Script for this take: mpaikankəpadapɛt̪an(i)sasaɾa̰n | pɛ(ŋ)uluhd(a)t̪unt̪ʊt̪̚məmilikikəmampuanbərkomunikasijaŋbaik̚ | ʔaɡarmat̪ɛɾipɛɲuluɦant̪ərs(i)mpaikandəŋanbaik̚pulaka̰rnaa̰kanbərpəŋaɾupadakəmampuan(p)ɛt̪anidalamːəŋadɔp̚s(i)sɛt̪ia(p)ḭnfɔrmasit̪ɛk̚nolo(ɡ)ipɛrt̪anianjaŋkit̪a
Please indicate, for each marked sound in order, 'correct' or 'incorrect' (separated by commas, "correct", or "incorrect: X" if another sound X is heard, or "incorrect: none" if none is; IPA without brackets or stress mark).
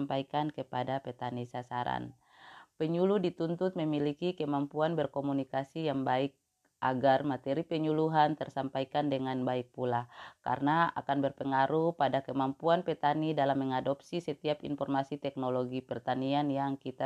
correct, incorrect: ɲ, incorrect: i, incorrect: a, correct, correct, correct, correct